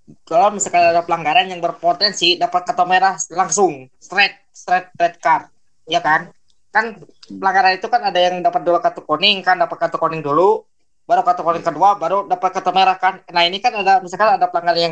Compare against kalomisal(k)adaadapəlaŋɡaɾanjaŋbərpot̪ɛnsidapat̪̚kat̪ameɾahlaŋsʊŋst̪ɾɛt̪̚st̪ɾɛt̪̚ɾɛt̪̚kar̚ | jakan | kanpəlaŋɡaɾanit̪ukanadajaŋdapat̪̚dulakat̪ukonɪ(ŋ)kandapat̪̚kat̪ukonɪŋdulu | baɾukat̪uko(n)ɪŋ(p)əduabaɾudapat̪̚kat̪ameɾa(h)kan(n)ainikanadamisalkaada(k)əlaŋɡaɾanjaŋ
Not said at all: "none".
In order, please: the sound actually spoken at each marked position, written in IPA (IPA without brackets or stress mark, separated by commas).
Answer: k, ŋ, n, k, h, n, p